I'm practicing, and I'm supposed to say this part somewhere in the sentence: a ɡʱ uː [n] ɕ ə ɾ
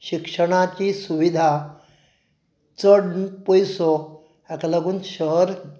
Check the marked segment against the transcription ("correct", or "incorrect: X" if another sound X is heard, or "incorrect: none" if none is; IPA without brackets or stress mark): correct